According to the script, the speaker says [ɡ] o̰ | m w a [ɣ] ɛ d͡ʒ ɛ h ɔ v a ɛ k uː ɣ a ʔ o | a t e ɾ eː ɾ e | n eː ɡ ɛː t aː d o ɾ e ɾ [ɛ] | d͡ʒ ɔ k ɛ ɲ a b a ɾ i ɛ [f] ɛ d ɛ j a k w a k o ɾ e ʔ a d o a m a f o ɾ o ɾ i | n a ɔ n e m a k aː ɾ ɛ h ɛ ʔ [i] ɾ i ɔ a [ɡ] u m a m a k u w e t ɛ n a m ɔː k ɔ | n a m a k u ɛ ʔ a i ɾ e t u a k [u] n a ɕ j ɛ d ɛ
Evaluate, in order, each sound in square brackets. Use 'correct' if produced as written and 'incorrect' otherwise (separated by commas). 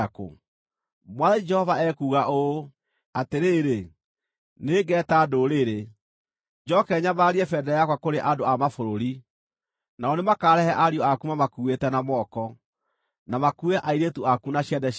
incorrect, incorrect, incorrect, correct, incorrect, incorrect, correct